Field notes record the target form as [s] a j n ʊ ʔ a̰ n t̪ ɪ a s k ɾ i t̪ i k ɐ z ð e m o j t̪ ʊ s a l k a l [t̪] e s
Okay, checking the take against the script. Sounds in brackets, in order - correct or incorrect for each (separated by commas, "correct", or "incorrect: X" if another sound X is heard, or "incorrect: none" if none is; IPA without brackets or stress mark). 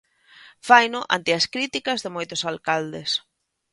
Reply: incorrect: f, incorrect: d̪